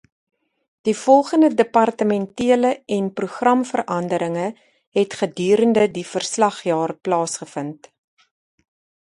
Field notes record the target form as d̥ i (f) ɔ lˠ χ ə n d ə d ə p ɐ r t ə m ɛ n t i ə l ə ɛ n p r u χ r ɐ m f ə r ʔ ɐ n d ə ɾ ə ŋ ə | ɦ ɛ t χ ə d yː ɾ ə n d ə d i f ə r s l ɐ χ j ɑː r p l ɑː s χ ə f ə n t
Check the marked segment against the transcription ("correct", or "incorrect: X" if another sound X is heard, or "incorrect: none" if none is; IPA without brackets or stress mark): correct